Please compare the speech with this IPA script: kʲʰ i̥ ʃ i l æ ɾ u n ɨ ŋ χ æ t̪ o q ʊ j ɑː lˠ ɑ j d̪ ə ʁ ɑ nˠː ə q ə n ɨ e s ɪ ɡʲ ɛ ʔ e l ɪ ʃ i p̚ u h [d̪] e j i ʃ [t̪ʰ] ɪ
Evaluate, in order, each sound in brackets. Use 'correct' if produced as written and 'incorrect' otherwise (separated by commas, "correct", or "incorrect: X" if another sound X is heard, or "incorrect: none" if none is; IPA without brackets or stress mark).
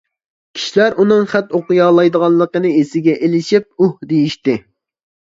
correct, incorrect: t̪